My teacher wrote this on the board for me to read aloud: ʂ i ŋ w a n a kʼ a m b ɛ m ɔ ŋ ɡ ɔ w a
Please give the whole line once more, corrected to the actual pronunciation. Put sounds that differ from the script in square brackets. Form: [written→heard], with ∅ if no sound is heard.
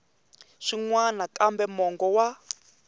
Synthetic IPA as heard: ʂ i ŋ w a n a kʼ a m b ɛ m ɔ ŋ ɡ ɔ w a